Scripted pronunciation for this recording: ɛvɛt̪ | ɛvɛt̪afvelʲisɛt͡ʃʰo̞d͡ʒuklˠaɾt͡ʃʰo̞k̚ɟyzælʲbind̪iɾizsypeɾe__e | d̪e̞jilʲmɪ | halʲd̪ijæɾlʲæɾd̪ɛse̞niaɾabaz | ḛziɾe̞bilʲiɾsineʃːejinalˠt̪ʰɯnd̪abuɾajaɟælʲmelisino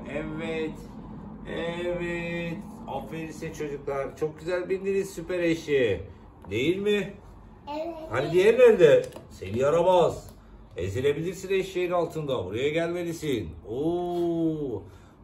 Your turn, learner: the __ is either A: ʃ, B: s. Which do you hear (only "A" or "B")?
A